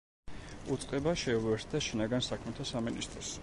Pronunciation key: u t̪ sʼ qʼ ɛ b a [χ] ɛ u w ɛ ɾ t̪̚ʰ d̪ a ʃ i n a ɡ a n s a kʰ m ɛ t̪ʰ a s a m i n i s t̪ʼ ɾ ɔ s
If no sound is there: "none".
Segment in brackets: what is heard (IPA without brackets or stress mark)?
ʃ